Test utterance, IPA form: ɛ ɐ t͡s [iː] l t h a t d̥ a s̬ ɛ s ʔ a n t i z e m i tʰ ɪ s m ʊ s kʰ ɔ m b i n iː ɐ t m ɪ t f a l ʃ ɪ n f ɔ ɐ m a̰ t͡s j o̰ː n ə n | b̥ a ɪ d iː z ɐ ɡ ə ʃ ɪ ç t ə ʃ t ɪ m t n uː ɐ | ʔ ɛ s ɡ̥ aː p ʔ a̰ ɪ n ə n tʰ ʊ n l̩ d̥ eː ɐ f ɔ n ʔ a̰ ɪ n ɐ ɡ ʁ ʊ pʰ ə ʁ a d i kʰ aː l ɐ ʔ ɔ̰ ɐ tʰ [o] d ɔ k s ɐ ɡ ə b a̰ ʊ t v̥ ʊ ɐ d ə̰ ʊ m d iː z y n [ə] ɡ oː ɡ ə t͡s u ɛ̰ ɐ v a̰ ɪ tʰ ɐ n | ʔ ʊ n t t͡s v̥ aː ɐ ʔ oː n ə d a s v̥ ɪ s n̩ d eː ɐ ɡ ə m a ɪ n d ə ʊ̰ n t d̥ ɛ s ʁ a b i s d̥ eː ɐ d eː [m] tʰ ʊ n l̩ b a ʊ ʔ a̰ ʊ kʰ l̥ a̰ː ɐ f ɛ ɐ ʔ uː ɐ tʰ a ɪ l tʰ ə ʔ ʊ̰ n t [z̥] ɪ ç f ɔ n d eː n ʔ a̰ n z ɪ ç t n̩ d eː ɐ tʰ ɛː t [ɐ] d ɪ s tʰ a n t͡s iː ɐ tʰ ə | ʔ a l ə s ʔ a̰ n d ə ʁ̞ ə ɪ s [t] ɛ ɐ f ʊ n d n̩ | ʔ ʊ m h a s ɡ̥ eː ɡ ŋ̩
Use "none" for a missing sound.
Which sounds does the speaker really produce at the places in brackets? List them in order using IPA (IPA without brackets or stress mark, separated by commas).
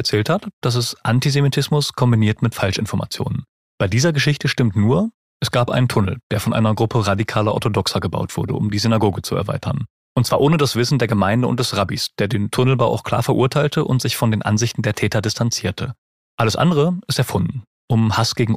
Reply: ɛː, o, a, n, z̥, ɐ, t